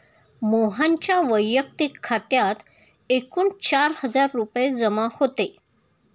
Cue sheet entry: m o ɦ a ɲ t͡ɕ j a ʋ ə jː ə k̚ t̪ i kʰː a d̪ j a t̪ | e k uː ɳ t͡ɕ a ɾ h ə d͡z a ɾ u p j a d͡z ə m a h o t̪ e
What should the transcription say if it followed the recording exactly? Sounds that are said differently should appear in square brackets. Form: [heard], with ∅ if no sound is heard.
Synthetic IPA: m o ɦ a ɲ t͡ɕ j a ʋ ə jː ə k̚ t̪ i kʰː a [t̪] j a t̪ | e k uː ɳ t͡ɕ a ɾ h ə d͡z a [ɾː] u p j [e] d͡z ə m a h o t̪ e